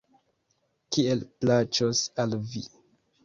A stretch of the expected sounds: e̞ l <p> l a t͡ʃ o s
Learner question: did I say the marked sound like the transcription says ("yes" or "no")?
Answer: yes